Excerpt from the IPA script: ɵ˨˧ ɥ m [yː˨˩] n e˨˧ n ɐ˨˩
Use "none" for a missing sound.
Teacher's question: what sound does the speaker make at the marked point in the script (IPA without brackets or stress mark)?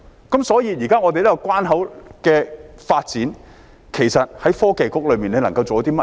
iː˨˩